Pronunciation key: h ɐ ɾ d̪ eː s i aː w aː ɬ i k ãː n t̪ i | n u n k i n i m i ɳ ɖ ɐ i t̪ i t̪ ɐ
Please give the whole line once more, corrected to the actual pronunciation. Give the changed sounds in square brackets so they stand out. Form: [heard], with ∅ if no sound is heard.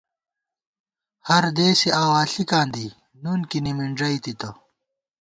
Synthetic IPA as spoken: h ɐ ɾ d̪ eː s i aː w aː ɬ i k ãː n [d̪] i | n u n k i n i m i ɳ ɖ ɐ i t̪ i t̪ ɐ